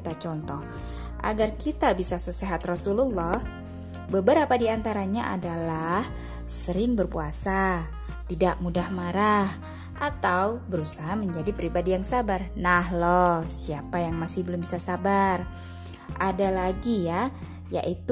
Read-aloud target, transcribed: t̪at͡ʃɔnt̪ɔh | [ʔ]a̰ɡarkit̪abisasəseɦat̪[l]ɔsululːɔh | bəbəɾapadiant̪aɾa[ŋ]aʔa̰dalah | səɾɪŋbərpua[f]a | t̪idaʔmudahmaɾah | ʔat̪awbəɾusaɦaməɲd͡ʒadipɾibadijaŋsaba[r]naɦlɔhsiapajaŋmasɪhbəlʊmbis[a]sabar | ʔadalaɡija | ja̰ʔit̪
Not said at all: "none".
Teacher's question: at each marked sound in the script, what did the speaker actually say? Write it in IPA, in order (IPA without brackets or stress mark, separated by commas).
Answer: ʔ, r, ɲ, s, r, a